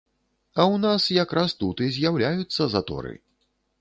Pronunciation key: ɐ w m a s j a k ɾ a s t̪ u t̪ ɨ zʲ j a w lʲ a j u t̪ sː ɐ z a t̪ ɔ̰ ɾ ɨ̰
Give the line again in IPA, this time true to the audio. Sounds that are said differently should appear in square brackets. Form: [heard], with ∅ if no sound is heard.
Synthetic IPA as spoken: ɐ w [n] a s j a k ɾ a s t̪ u t̪ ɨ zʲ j a w lʲ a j u t̪ sː ɐ z a t̪ ɔ̰ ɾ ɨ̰